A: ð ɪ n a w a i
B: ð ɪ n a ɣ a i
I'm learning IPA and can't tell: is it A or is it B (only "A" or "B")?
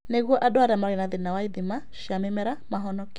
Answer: A